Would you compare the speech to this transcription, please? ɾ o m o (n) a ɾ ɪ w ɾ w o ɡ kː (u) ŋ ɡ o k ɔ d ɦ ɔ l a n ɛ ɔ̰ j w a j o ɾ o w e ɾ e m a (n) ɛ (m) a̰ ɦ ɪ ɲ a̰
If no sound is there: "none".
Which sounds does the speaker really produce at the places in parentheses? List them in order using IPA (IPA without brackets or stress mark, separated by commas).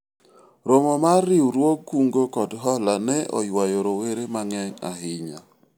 m, u, ŋ, ŋ